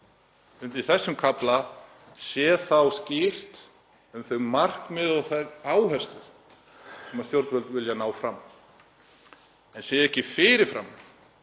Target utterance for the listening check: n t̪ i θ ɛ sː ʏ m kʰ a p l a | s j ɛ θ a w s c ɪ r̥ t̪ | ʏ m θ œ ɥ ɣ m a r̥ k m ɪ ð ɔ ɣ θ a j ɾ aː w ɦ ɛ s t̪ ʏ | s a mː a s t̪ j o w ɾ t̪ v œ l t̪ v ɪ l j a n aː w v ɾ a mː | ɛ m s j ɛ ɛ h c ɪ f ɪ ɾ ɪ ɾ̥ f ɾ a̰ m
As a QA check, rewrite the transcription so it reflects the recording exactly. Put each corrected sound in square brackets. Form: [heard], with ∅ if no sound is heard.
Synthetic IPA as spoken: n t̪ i θ ɛ sː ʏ m kʰ a p l a | s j ɛ θ a w s c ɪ r̥ t̪ | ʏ m θ œ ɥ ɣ m a r̥ k m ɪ ð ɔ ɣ θ a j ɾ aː w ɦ ɛ s t̪ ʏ | s [ɛ] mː a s t̪ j o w ɾ t̪ v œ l t̪ v ɪ l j a n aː w [f] ɾ a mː | ɛ [n] s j ɛ ɛ h c ɪ f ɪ ɾ ɪ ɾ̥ f ɾ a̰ m